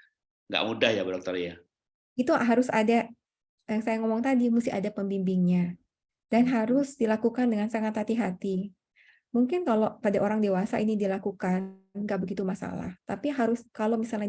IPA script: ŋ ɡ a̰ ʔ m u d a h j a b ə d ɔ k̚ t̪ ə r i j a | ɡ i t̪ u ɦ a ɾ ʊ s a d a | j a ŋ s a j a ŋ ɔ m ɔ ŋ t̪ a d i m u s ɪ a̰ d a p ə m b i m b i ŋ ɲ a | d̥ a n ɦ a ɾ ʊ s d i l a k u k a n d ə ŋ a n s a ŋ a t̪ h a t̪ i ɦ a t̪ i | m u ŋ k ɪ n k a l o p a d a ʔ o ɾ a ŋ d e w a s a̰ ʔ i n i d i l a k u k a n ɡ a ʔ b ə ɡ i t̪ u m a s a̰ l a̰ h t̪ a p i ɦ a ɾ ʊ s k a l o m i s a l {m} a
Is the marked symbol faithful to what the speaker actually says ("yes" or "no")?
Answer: no